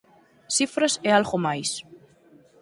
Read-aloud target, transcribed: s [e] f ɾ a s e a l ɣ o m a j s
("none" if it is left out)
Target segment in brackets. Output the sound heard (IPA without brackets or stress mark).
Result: i